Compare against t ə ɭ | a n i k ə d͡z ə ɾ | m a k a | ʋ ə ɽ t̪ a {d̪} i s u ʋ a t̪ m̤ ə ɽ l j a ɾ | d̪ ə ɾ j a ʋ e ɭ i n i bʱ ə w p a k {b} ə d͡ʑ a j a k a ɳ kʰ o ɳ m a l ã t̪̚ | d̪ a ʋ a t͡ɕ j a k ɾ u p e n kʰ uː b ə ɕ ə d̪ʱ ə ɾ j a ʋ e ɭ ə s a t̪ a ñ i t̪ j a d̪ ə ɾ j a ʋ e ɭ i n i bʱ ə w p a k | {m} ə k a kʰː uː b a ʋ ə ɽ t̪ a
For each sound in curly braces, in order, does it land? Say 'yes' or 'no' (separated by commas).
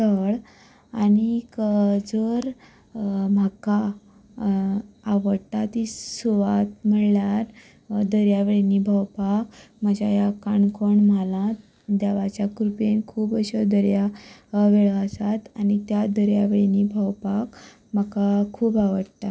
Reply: no, no, yes